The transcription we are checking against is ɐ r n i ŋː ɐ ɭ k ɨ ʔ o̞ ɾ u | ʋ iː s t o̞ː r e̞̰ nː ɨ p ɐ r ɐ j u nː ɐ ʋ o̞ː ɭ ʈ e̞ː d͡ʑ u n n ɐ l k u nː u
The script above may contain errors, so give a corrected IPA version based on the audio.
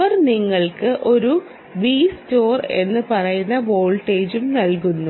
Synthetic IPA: ɐ r n i ŋː ɐ ɭ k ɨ ʔ o̞ ɾ u | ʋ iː s t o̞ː r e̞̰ nː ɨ p ɐ r ɐ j u nː ɐ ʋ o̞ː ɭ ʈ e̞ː d͡ʑ u m n ɐ l k u nː u